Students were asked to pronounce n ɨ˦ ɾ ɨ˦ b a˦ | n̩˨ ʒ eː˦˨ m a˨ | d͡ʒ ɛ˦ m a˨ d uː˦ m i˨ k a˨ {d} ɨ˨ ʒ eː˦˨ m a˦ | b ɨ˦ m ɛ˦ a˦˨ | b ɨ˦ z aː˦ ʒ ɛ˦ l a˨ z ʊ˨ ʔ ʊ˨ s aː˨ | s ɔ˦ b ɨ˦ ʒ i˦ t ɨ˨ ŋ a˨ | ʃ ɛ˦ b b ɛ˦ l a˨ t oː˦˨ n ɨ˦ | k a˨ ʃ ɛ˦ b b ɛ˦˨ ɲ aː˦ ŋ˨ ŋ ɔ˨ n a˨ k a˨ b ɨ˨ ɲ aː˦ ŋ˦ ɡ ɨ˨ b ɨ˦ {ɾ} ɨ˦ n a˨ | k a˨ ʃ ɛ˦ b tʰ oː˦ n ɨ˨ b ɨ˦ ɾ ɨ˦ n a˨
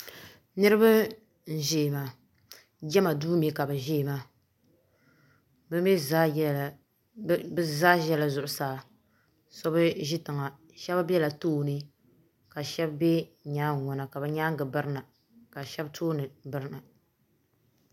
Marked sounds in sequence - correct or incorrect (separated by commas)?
incorrect, correct